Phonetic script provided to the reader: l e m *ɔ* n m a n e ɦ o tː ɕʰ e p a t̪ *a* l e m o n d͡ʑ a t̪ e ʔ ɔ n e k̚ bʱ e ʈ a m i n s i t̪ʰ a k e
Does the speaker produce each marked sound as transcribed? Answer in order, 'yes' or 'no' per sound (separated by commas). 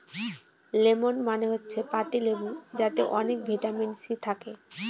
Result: no, no